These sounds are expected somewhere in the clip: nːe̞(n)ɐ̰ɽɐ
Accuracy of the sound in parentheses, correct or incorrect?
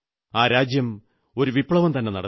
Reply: correct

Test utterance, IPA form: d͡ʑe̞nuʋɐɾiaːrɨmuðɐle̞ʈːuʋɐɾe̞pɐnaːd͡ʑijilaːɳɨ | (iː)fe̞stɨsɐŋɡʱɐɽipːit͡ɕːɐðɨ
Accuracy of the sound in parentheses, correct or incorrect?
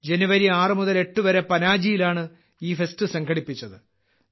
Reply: correct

